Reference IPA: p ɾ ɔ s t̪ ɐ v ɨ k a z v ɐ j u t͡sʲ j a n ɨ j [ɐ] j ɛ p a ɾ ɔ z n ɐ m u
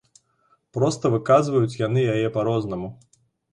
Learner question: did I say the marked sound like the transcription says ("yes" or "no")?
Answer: no